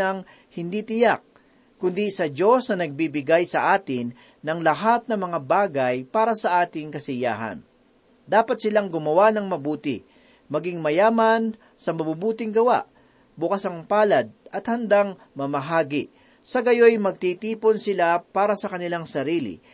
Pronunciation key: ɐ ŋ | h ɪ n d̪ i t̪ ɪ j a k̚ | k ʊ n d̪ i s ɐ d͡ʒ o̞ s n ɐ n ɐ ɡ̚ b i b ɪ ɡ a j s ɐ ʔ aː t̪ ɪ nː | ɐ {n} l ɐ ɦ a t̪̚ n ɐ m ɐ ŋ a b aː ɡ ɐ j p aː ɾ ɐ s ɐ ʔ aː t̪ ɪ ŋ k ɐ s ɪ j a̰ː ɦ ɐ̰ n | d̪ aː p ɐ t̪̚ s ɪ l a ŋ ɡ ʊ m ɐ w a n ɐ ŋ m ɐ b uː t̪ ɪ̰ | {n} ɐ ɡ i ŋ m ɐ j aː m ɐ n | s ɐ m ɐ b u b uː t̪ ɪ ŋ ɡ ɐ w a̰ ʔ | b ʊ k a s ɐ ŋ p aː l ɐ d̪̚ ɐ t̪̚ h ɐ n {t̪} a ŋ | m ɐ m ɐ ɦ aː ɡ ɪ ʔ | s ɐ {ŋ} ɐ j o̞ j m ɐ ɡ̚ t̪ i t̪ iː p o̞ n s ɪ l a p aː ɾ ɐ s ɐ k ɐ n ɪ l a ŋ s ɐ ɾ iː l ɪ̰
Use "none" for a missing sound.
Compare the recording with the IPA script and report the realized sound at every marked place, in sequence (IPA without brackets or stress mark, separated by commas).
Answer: ŋ, m, d̪, ɡ